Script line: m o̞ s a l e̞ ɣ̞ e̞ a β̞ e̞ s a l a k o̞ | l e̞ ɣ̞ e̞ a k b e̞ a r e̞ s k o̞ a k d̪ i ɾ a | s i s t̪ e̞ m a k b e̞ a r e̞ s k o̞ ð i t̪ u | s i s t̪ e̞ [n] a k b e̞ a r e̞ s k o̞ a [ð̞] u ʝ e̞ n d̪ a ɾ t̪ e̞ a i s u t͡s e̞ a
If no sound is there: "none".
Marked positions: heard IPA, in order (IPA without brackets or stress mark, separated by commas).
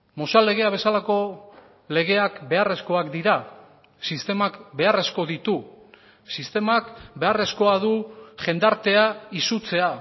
m, ð̞